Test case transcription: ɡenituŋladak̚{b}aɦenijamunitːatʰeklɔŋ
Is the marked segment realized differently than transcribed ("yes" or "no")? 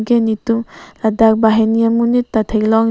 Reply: no